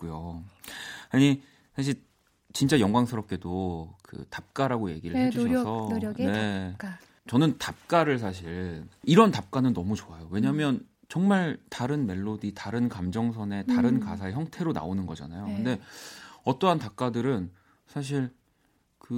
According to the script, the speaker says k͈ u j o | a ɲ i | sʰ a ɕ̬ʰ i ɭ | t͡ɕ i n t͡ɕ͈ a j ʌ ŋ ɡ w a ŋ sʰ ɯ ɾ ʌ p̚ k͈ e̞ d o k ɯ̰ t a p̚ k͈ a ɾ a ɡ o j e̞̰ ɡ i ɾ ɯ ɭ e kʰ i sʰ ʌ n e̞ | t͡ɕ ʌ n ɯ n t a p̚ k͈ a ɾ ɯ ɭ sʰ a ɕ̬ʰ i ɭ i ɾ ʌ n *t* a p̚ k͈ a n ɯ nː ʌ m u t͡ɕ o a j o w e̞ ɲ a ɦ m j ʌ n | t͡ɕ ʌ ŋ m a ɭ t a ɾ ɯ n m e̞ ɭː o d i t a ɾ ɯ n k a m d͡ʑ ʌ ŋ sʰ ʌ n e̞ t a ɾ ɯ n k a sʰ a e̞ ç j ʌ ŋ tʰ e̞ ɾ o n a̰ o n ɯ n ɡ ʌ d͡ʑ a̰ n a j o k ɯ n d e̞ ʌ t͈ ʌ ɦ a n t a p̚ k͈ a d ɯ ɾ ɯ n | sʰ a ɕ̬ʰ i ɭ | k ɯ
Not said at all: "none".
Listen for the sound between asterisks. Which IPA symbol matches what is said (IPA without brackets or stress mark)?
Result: t